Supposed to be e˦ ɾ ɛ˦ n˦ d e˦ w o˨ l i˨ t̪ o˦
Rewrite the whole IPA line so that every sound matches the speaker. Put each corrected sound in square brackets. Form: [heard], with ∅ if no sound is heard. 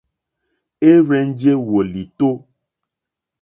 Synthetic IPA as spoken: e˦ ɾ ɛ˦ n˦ [d͡ʒ] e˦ w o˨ l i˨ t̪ o˦